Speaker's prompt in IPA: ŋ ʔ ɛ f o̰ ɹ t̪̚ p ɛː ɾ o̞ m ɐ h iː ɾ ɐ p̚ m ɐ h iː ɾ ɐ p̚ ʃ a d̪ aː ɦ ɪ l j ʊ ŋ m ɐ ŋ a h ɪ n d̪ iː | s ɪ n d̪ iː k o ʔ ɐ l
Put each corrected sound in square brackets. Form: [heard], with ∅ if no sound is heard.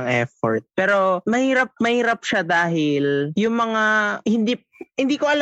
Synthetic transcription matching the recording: ŋ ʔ ɛ f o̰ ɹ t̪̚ p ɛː ɾ o̞ m ɐ h iː ɾ ɐ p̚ m ɐ h iː ɾ ɐ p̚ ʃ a d̪ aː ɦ ɪ l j ʊ ŋ m ɐ ŋ a h ɪ n d̪ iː | [h] ɪ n d̪ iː k o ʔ ɐ l